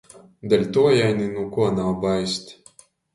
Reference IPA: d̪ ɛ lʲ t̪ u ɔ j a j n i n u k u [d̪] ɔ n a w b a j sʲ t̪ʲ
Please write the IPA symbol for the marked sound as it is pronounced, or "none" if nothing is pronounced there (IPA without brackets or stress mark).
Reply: none